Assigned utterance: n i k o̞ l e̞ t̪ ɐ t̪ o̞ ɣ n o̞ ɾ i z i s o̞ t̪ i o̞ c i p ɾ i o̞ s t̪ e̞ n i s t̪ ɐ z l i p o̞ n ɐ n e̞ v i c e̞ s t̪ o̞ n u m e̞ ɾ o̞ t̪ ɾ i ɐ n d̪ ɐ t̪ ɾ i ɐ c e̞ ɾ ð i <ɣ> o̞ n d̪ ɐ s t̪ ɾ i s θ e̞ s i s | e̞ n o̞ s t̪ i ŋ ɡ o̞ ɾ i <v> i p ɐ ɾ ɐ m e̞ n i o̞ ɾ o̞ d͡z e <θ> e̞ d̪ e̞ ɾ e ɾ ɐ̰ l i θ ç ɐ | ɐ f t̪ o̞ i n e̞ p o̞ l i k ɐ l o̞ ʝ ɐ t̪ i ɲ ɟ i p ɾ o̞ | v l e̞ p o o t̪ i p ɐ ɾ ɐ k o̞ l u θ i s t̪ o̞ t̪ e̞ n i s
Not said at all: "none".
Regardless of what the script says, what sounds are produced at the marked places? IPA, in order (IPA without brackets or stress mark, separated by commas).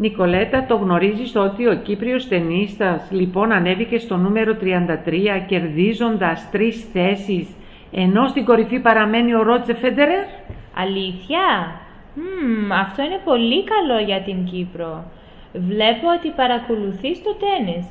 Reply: z, f, f